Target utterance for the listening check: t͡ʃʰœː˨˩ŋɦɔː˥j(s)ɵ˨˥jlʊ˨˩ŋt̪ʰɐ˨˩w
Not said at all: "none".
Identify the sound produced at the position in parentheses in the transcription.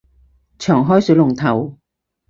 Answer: s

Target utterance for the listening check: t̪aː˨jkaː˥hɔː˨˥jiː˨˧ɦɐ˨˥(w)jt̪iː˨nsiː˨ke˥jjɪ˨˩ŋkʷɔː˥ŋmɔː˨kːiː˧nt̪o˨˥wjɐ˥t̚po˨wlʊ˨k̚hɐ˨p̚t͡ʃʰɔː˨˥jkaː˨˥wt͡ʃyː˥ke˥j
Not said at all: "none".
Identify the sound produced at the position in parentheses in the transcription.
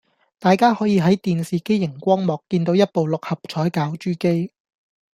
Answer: none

